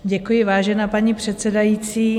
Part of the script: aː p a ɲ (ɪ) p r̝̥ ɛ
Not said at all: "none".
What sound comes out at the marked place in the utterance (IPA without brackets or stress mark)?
i